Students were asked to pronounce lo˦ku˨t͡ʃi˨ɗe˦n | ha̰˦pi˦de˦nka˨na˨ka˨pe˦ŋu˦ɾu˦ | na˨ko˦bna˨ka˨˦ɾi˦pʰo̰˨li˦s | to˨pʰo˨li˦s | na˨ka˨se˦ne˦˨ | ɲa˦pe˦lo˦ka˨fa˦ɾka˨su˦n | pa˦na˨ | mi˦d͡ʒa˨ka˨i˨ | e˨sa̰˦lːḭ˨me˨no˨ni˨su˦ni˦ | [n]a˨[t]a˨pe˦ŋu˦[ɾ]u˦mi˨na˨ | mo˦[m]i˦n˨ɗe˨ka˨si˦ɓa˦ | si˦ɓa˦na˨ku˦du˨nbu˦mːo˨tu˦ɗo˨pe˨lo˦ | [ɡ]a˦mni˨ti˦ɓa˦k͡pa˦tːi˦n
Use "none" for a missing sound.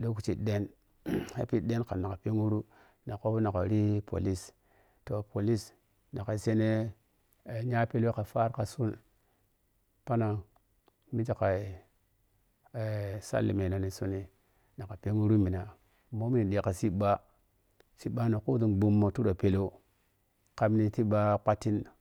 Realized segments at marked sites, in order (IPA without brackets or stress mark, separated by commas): n, k, ɾ, m, k